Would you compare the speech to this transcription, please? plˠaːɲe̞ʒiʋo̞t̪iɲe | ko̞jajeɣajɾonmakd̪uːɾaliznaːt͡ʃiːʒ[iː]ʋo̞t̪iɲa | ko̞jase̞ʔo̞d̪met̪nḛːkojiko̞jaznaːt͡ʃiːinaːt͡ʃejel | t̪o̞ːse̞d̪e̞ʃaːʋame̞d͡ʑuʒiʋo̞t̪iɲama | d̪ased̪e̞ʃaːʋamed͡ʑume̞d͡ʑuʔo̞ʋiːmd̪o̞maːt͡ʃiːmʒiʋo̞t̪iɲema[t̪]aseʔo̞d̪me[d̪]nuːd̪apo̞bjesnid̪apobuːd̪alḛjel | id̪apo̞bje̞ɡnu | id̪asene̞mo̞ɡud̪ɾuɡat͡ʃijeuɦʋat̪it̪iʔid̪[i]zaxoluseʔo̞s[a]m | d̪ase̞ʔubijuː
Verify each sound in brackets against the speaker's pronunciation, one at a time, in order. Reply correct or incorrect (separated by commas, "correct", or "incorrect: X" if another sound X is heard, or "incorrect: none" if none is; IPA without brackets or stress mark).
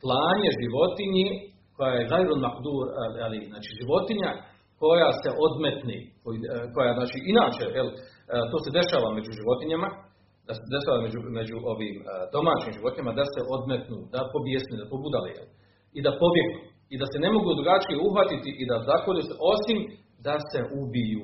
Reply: incorrect: i, incorrect: d̪, incorrect: t̪, incorrect: a, incorrect: i